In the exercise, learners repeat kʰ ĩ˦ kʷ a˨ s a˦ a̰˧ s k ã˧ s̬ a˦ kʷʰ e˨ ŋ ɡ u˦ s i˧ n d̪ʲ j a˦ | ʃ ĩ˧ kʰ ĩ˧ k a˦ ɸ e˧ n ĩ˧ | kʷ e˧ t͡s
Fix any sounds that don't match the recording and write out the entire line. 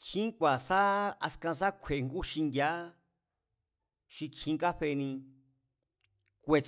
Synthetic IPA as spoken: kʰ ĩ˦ kʷ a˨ s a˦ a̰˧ s k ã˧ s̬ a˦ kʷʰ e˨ ŋ ɡ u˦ ʃ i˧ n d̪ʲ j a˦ | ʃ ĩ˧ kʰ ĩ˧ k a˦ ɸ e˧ n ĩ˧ | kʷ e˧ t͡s